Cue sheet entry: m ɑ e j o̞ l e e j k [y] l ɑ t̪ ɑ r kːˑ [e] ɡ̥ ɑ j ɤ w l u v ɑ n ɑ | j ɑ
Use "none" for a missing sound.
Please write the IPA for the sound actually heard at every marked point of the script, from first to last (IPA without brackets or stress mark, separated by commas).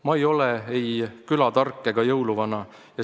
y, e